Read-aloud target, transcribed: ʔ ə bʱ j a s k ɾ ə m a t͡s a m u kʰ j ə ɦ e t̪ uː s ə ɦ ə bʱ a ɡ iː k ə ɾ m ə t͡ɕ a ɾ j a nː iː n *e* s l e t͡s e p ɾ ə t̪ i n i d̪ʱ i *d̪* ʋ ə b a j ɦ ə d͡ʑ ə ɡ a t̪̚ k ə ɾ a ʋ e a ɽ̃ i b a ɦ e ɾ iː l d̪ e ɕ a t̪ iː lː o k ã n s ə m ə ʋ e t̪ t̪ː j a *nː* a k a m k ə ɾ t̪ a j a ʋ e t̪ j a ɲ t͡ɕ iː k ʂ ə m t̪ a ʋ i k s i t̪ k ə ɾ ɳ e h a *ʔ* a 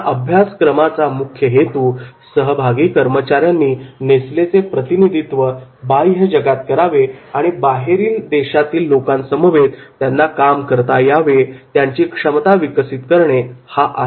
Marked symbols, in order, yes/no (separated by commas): yes, no, yes, yes